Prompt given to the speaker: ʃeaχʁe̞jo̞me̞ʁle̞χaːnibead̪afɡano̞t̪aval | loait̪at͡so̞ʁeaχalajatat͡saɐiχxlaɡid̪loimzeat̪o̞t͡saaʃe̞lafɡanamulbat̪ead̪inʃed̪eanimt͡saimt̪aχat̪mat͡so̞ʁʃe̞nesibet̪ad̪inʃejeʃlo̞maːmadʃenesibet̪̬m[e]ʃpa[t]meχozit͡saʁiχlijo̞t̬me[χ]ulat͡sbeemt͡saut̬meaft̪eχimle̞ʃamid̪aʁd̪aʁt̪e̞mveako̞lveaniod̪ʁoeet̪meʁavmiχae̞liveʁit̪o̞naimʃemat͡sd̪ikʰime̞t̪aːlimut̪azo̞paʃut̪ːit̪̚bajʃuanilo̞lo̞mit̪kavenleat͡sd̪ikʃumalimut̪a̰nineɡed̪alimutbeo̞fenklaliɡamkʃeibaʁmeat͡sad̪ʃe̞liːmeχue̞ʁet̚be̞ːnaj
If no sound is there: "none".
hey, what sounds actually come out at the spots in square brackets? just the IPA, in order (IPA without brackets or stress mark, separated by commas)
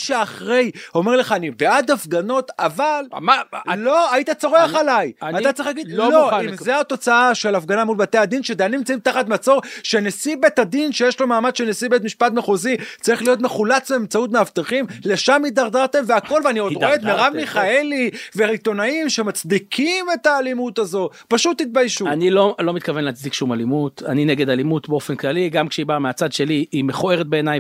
i, t, χ